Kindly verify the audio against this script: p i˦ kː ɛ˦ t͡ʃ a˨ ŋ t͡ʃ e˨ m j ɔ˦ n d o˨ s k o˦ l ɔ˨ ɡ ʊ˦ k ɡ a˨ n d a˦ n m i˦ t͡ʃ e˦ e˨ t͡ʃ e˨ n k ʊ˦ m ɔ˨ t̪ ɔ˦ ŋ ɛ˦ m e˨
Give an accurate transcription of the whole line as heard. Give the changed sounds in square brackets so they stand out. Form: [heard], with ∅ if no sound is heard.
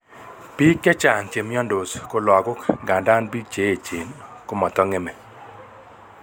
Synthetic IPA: p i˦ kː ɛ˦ t͡ʃ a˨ ŋ t͡ʃ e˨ m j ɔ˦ n d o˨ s k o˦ l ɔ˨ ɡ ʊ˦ k ɡ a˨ n d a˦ n [b] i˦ t͡ʃ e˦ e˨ t͡ʃ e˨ n k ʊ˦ m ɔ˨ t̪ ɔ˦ ŋ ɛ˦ m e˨